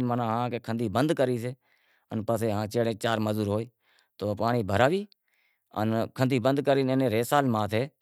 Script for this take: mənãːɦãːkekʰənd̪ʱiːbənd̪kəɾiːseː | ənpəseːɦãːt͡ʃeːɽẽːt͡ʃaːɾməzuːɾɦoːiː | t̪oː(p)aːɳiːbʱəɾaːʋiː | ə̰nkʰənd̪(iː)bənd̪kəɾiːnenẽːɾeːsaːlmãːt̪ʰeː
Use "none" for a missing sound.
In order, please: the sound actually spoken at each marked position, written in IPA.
p, iː

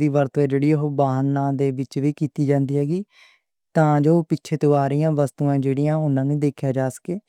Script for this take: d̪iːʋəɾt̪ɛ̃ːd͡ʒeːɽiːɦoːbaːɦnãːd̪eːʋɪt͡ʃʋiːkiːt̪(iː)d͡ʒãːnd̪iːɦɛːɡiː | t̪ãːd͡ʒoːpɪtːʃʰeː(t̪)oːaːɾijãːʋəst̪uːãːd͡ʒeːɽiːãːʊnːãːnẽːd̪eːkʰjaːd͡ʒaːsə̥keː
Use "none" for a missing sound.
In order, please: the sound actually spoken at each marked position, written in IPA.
iː, t̪

